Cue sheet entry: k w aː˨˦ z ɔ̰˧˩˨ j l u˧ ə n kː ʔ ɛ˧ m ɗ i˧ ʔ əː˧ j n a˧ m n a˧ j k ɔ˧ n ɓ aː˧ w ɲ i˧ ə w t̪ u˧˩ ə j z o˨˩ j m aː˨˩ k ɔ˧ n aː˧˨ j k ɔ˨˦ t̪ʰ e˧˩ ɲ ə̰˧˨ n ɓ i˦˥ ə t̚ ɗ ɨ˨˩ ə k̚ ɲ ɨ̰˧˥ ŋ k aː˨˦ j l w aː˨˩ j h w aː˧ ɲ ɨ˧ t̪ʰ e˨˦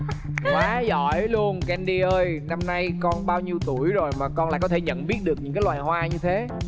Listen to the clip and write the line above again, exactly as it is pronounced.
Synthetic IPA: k w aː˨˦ z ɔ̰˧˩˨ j l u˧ ə n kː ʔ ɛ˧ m ɗ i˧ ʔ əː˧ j n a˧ m n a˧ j k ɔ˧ n ɓ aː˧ w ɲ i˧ ə w t̪ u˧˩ ə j z o˨˩ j m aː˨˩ k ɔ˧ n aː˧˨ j k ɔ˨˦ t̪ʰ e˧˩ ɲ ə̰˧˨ n ɓ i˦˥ ə t̚ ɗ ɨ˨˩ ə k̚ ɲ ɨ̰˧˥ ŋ k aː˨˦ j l w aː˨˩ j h w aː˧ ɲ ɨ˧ t̪ʰ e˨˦